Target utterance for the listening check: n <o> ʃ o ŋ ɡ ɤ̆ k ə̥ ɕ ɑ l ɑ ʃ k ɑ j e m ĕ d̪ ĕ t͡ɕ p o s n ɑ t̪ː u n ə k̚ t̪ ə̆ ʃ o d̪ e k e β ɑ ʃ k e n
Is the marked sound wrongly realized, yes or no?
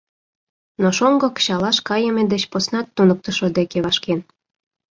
no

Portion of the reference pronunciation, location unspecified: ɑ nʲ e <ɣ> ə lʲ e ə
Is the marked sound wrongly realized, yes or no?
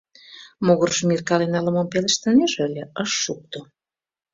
yes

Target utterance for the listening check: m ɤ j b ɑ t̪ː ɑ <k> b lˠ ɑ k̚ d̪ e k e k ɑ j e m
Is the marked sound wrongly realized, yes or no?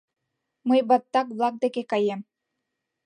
no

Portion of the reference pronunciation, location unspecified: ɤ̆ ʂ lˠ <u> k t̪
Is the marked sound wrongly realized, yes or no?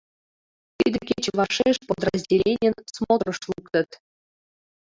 no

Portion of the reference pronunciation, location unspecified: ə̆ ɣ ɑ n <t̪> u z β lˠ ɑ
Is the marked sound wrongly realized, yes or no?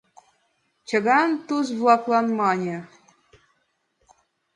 no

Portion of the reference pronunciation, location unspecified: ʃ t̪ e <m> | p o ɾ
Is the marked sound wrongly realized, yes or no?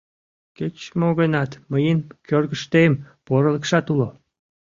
no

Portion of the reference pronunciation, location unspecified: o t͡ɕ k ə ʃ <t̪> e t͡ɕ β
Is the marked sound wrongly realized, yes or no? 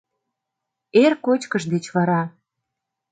yes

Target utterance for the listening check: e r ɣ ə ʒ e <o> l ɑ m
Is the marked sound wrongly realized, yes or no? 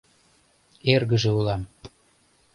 yes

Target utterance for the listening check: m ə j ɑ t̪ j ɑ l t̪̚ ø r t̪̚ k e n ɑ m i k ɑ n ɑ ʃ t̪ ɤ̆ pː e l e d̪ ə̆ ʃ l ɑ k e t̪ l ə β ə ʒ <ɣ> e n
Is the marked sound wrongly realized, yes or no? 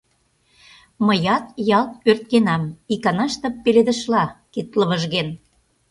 no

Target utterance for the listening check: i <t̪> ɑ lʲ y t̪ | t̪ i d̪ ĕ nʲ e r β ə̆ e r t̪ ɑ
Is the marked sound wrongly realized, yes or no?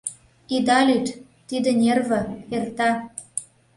yes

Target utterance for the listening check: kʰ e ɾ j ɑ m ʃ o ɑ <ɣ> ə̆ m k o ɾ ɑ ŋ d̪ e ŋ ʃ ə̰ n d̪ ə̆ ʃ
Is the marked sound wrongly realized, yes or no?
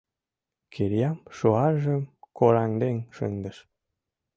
yes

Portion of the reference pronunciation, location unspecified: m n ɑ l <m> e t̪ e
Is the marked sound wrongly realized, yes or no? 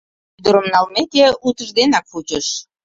no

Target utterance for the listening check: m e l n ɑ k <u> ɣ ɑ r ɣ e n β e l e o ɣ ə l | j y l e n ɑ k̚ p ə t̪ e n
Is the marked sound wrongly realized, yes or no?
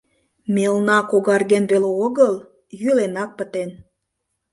yes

